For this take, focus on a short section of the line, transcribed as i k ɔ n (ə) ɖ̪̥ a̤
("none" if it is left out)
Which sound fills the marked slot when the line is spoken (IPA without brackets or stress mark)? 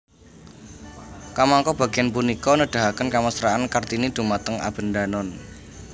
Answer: ə